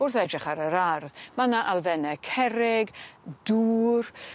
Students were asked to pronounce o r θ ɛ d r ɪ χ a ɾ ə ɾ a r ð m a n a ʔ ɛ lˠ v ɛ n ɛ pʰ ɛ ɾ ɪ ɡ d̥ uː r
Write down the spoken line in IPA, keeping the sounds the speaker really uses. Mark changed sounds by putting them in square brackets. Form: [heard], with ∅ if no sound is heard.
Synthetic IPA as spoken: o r θ ɛ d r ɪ χ a ɾ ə ɾ a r ð m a n a ʔ [a] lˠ v ɛ n ɛ [kʰ] ɛ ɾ ɪ ɡ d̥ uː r